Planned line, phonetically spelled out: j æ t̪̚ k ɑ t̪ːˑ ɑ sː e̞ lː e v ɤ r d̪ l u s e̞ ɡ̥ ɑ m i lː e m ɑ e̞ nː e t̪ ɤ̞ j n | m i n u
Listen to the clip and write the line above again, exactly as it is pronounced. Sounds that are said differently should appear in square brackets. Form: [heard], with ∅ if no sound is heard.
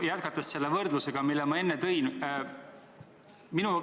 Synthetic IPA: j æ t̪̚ k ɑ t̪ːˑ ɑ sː e̞ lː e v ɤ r d̪ l u s e̞ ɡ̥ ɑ m i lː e m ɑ e̞ nː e t̪ ɤ̞ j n | m i n u